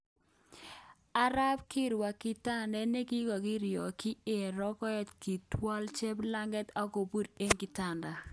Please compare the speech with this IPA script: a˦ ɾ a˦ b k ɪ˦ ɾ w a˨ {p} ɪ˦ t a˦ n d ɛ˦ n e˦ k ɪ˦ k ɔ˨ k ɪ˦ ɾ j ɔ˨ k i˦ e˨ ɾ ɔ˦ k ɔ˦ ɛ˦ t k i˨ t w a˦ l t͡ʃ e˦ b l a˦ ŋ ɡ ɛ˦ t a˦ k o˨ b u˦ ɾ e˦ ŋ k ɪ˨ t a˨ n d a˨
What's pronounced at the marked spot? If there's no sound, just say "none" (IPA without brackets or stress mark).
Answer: k